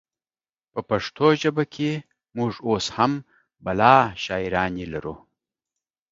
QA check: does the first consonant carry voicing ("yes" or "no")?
no